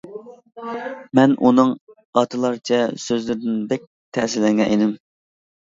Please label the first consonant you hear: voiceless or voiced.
voiced